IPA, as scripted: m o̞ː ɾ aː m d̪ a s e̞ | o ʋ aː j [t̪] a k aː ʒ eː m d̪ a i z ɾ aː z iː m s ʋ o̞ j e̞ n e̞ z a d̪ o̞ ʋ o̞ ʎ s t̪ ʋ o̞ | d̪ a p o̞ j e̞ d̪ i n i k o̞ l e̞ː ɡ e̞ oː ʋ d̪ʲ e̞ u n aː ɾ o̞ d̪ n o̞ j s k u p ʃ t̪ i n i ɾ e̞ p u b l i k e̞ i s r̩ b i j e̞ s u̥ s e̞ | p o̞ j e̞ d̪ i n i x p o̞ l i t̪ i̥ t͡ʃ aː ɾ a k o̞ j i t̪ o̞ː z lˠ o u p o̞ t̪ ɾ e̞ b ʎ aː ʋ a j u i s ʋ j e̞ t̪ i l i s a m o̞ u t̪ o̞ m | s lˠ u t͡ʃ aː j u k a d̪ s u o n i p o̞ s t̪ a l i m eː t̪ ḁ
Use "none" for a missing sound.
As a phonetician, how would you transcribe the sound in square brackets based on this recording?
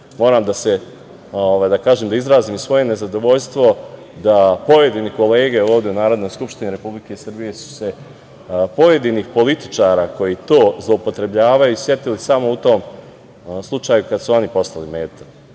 d̪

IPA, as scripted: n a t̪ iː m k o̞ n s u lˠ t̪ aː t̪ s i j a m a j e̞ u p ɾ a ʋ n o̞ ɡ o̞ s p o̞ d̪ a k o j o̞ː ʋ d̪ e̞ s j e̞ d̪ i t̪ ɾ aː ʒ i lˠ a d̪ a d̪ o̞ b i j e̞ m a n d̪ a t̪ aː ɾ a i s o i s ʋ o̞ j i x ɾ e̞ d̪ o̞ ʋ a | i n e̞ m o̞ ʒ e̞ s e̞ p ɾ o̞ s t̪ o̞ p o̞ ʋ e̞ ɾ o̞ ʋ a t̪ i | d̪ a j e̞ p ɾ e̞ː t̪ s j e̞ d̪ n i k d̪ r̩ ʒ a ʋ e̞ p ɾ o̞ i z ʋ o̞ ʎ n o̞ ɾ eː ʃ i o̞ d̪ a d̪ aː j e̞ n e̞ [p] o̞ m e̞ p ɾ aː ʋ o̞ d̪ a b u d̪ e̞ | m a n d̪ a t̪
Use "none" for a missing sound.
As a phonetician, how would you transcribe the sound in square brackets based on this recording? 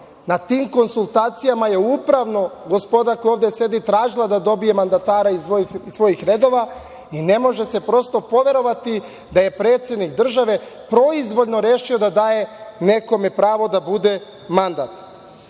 k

